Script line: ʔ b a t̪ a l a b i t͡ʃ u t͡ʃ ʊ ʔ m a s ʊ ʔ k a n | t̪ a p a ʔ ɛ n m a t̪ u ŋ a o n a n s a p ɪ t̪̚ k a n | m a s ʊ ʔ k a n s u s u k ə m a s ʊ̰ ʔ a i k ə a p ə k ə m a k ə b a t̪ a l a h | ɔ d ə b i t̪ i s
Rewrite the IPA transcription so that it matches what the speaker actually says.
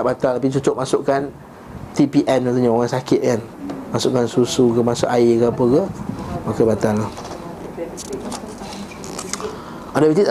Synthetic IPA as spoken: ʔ b a t̪ a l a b i t͡ʃ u t͡ʃ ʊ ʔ m a s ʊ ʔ k a n | t̪ i p i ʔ ɛ n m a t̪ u ɲ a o ŋ a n s a k ɪ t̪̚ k a n | m a s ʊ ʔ k a n s u s u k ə m a s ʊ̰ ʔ a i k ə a p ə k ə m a k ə b a t̪ a l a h | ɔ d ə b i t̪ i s